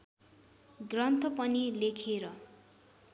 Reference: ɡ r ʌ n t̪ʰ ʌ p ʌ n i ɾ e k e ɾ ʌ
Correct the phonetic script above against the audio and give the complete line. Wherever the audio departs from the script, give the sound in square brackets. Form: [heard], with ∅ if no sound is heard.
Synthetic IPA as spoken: ɡ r ʌ n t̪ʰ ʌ p ʌ n i [l] e [kʰ] e ɾ ʌ